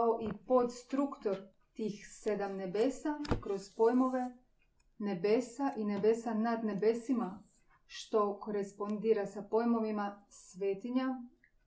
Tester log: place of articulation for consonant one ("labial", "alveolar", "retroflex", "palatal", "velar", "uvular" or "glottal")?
glottal